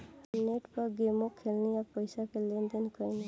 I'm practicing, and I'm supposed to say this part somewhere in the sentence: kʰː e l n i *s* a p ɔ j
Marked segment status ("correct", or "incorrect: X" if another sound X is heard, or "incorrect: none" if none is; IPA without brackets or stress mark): incorrect: none